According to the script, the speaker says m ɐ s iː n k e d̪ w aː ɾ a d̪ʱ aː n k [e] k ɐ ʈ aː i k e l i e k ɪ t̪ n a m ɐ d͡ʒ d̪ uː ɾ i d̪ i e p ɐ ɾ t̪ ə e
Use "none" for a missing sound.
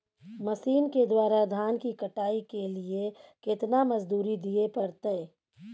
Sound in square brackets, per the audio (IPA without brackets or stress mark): i